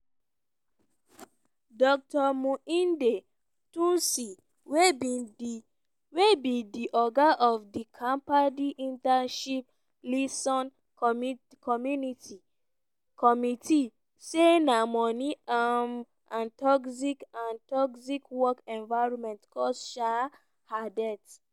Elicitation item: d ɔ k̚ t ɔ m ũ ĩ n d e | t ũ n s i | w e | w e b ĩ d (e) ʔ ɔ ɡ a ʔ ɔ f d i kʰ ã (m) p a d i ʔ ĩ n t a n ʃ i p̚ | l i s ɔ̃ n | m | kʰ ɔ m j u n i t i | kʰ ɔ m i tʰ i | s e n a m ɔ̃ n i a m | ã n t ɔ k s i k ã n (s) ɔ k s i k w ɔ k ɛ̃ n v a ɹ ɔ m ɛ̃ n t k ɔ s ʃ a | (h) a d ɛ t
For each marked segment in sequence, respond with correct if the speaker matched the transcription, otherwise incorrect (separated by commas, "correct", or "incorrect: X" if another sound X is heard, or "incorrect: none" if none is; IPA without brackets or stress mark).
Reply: incorrect: i, correct, incorrect: t, correct